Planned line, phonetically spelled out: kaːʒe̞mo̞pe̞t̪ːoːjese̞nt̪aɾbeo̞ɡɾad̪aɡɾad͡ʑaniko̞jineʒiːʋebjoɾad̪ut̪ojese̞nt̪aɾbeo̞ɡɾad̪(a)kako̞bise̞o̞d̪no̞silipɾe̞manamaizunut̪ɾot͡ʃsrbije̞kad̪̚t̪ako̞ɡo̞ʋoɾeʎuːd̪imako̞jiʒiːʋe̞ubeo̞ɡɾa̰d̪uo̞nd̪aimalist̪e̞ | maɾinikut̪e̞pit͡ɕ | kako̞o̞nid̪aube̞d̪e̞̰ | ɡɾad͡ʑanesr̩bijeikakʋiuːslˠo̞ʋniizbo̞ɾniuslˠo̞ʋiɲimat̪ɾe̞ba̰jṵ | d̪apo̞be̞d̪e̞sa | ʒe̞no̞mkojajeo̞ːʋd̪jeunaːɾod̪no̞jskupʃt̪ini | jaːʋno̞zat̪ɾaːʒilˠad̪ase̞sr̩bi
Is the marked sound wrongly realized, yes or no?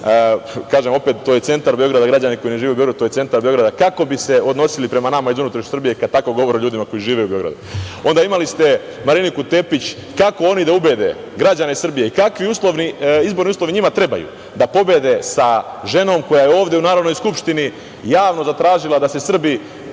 no